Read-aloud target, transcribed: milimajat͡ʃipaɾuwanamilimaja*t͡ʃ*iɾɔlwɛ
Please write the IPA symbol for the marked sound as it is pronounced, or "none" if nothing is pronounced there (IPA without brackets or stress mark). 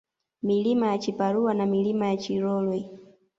t͡ʃ